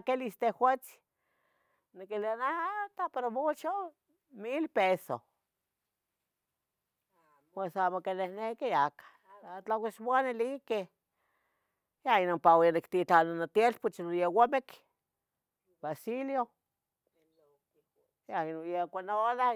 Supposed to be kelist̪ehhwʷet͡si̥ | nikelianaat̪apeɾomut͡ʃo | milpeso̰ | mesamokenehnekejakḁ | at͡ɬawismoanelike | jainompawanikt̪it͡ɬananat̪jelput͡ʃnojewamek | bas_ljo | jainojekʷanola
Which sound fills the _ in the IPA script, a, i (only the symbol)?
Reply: i